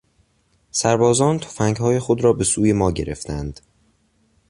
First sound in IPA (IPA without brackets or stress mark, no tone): s